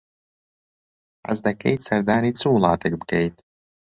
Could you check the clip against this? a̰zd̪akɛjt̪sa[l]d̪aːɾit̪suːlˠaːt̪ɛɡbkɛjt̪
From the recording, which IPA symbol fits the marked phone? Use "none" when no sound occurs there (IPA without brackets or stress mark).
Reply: ɾ